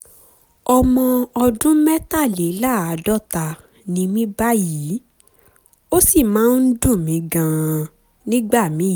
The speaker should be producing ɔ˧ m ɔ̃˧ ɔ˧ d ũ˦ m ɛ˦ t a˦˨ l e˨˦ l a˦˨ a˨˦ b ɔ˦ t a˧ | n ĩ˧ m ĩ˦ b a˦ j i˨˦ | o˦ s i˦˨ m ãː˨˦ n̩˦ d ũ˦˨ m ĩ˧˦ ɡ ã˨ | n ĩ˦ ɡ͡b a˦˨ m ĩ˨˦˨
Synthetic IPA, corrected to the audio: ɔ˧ m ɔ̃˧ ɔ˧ d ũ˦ m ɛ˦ t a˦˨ l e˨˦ l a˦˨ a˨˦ d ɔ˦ t a˧ | n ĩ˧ m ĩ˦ b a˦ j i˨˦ | o˦ s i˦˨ m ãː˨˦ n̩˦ d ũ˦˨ m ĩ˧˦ ɡ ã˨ | n ĩ˦ ɡ͡b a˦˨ m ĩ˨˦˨

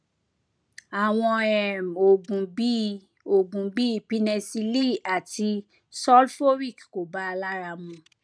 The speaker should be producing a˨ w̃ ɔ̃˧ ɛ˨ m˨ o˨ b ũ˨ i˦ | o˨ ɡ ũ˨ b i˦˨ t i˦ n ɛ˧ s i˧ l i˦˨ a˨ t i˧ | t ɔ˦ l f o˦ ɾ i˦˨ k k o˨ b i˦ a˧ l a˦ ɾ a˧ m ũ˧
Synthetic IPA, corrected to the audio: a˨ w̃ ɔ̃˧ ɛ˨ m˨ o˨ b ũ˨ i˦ | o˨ b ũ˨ b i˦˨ p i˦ n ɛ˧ s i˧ l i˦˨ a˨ t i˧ | s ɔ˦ l f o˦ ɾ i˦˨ k k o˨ b a˦ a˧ l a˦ ɾ a˧ m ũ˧

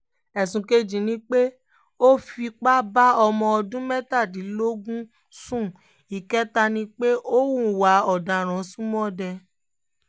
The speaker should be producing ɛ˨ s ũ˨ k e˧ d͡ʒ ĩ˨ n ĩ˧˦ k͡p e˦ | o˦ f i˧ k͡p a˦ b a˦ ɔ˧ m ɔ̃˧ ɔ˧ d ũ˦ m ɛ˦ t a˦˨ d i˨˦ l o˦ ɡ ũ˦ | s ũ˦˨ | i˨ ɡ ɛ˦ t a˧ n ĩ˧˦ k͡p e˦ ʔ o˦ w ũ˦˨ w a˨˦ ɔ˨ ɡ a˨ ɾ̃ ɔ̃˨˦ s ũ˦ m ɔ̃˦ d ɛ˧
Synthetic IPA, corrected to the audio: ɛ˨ s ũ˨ k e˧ d͡ʒ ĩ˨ n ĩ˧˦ k͡p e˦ | o˦ f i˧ k͡p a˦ b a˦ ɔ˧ m ɔ̃˧ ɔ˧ d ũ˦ m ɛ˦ t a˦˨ d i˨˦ l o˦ ɡ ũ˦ | s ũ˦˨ | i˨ k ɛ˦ t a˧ n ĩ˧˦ k͡p e˦ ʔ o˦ w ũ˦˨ w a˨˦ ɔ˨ d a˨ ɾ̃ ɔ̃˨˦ s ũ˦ m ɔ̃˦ d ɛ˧

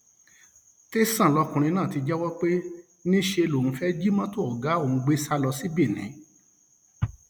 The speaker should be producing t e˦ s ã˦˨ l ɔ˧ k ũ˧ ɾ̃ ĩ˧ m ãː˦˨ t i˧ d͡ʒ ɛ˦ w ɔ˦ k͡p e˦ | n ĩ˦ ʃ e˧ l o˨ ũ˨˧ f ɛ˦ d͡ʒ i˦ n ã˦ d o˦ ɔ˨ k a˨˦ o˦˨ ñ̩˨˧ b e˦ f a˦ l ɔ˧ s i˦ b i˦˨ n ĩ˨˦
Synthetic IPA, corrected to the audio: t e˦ s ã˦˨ l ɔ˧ k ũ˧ ɾ̃ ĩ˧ n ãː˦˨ t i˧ d͡ʒ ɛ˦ w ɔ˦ k͡p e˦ | n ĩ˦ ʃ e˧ l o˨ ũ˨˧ f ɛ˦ d͡ʒ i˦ m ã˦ t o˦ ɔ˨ ɡ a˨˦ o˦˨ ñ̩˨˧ ɡ͡b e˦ s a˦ l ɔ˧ s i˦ b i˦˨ n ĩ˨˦

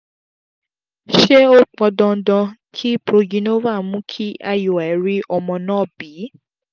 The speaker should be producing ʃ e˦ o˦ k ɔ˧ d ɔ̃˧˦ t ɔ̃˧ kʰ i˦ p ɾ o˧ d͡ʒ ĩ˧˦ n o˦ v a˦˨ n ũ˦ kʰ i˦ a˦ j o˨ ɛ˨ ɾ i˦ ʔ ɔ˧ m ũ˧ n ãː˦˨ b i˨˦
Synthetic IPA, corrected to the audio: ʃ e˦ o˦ k͡p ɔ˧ d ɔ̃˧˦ d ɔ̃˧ kʰ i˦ p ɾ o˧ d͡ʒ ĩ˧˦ n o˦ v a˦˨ m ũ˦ kʰ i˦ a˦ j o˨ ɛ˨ ɾ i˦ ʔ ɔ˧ m ɔ̃˧ n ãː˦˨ b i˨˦

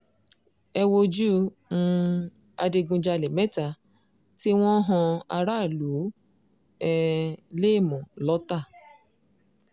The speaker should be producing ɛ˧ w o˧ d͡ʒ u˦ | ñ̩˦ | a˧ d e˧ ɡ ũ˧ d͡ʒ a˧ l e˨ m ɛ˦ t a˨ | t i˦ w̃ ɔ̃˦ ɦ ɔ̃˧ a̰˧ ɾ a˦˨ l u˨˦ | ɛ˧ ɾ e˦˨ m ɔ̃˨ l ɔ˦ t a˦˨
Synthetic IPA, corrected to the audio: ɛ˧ w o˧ d͡ʒ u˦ | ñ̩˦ | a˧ d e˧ ɡ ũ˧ d͡ʒ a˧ l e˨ m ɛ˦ t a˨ | t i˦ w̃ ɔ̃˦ ɦ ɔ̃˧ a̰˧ ɾ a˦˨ l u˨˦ | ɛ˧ l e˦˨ m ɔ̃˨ l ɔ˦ t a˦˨

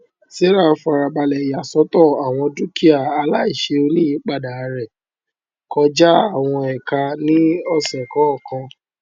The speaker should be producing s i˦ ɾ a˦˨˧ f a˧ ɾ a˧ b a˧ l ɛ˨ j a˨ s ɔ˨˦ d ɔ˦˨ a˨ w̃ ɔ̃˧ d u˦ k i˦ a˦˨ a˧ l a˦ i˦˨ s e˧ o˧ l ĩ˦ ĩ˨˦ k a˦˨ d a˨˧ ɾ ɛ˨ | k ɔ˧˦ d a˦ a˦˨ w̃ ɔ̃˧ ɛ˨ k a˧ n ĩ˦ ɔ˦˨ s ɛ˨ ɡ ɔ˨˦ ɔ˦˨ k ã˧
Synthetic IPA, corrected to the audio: s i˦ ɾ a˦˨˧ f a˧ ɾ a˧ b a˧ l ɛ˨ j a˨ s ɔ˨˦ t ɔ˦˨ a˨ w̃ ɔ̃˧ d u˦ k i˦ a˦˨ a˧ l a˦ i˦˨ ʃ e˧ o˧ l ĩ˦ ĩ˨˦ k͡p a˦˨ d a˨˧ ɾ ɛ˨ | k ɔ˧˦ d͡ʒ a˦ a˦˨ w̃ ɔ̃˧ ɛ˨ k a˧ n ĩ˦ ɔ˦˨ s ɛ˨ k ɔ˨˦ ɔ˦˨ k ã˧

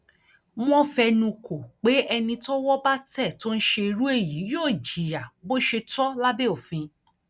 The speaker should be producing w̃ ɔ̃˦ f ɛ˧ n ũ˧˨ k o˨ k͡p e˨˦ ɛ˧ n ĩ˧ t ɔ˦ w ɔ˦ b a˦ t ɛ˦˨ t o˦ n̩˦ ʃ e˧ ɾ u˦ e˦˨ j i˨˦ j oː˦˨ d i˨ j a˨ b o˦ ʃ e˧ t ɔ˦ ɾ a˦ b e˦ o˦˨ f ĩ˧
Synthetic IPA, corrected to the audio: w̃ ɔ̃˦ f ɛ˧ n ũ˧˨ k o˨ k͡p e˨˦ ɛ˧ n ĩ˧ t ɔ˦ w ɔ˦ b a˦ t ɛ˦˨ t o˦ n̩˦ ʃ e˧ ɾ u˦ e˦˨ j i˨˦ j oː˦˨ d͡ʒ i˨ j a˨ b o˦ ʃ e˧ t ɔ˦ l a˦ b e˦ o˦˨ f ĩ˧

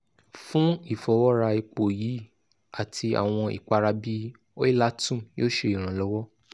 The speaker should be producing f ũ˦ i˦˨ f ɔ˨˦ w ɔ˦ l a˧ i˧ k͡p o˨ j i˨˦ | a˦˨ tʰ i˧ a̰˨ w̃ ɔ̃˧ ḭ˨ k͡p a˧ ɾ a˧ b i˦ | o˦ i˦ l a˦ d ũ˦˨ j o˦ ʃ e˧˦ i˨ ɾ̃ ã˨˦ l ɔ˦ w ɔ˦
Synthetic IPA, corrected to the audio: f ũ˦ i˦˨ f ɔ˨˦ w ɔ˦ ɾ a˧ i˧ k͡p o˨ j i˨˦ | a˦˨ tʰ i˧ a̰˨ w̃ ɔ̃˧ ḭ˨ k͡p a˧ ɾ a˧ b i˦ | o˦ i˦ l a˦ t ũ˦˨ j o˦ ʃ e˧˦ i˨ ɾ̃ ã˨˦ l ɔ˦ w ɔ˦

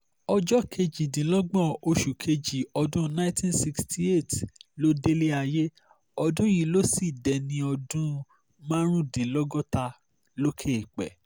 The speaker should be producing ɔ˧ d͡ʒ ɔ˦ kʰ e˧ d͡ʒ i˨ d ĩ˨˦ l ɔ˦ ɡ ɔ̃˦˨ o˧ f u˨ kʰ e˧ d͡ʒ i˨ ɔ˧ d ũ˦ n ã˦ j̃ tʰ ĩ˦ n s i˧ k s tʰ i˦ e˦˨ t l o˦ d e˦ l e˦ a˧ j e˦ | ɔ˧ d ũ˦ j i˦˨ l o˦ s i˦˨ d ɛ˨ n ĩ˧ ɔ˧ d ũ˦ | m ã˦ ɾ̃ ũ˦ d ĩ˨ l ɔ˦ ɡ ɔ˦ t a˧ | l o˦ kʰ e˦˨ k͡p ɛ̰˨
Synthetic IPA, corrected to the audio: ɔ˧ d͡ʒ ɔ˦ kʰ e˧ d͡ʒ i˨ d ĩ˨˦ l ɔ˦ ɡ͡b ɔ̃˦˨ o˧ ʃ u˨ kʰ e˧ d͡ʒ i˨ ɔ˧ d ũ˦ n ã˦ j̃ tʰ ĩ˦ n s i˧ k s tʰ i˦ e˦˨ t l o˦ d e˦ l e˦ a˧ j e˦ | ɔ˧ d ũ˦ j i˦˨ l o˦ s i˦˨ d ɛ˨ n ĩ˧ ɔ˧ d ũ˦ | m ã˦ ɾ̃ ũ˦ d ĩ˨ l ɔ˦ ɡ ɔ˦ t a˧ | l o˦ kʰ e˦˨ k͡p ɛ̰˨

